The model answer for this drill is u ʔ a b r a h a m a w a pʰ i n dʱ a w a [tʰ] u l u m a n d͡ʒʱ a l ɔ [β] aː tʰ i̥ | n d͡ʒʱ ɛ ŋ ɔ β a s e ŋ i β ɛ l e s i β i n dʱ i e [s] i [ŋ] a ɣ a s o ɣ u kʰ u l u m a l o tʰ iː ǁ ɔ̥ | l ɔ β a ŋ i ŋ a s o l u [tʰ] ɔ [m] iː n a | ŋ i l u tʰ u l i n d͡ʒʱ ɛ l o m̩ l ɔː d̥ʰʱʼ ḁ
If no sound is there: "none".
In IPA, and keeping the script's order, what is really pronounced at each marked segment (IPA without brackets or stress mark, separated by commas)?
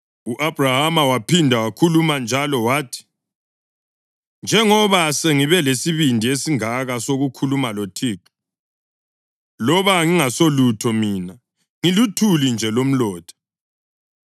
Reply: kʰ, w, s, ŋ, tʰ, m